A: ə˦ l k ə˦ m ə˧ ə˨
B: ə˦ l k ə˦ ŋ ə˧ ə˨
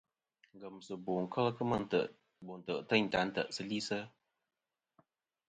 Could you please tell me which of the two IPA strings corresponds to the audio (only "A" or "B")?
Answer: A